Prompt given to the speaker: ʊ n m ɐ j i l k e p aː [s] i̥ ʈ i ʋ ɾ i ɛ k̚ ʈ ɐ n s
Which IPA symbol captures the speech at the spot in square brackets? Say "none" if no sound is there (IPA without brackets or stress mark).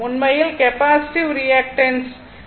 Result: s